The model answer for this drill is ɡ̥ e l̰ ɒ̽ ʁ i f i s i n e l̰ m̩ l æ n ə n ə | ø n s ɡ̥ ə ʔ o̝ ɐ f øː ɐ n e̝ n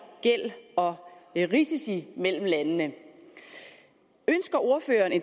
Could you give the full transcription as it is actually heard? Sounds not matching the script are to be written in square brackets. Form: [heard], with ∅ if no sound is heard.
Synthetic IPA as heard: ɡ̥ e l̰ ɒ̽ ʁ i [s] i s i [m] e l̰ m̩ l æ n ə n ə | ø n s ɡ̥ [ɐ] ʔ o̝ ɐ f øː ɐ n e̝ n